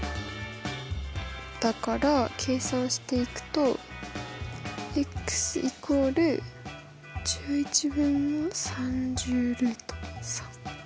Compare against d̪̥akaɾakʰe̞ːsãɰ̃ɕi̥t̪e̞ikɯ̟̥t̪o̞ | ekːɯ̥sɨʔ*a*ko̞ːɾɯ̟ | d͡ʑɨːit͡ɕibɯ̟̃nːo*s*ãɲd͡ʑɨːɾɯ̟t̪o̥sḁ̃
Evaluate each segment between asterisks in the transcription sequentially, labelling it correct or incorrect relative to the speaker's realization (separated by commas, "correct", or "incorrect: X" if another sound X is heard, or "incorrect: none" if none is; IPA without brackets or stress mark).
incorrect: i, correct